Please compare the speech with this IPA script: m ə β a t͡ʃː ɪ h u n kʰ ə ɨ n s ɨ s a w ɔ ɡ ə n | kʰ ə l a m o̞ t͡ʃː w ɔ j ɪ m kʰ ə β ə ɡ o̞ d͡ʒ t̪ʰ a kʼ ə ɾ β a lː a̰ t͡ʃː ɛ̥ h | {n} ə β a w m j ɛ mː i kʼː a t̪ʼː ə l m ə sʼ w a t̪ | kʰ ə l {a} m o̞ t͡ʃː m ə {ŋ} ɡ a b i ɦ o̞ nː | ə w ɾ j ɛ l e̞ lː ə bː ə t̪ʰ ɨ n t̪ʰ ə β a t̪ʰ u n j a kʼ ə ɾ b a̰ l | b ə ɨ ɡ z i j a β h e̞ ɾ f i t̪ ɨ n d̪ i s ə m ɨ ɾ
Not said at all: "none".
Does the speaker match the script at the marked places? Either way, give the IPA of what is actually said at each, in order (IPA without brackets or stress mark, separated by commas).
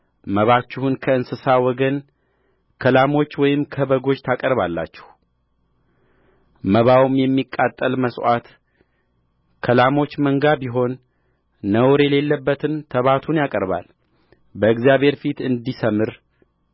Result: m, a, ŋ